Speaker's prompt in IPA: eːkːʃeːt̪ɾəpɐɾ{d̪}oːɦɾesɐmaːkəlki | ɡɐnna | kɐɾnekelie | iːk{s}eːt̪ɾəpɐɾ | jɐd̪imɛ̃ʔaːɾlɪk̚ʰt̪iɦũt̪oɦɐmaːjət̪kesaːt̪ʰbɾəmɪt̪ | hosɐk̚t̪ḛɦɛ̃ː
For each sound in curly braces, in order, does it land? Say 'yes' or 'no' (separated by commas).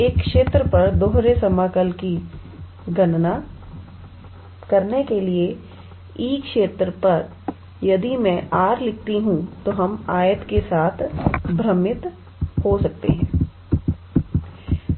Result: yes, no